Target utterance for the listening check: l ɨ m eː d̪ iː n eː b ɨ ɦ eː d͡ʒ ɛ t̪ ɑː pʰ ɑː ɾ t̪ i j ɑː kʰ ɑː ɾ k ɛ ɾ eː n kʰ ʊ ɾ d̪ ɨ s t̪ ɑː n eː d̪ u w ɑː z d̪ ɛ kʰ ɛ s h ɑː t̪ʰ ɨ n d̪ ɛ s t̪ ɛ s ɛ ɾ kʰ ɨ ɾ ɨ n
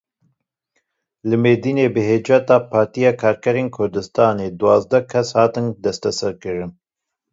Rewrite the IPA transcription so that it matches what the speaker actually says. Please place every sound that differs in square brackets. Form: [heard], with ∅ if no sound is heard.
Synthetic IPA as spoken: l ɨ m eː d̪ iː n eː b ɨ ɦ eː d͡ʒ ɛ t̪ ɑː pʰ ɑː ɾ t̪ i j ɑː kʰ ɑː ɾ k ɛ ɾ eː n kʰ ʊ ɾ d̪ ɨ s t̪ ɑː n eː d̪ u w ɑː z d̪ ɛ kʰ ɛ s h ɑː [t̪] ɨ n d̪ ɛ s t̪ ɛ s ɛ ɾ [k] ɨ ɾ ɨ n